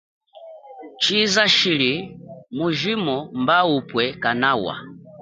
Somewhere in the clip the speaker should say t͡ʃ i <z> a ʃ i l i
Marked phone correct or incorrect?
correct